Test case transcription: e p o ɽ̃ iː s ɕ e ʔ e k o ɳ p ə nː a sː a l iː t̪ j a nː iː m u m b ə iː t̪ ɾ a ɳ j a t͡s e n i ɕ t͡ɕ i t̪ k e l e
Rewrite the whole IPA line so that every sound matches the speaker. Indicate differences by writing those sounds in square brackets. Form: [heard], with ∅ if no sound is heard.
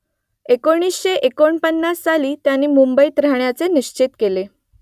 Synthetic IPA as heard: e [k] o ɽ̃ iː s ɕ e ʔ e k o ɳ p ə nː a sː a l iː t̪ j a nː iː m u m b ə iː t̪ ɾ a ɳ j a t͡s e n i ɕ t͡ɕ i t̪ k e l e